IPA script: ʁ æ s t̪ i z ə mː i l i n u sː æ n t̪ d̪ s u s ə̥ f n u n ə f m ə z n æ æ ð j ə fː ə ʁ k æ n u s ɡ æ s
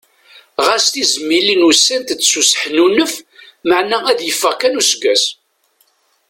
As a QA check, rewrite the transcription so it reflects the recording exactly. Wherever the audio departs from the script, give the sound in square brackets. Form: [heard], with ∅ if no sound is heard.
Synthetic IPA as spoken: ʁ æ s t̪ i z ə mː i l i n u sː æ n t̪ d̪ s u s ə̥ [ħ] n u n ə f m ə [ʕ] n æ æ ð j ə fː ə ʁ k æ n u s ɡ æ s